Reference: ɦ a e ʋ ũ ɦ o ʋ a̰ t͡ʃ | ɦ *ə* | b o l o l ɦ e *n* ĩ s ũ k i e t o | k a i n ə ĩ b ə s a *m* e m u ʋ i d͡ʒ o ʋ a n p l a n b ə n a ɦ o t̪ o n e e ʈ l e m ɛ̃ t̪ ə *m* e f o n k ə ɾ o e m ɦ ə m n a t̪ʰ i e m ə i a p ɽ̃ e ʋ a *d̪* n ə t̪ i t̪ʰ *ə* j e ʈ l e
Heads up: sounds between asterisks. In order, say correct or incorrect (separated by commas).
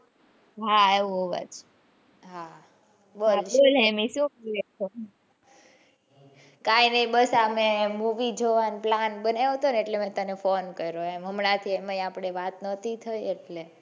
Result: incorrect, incorrect, correct, incorrect, incorrect, correct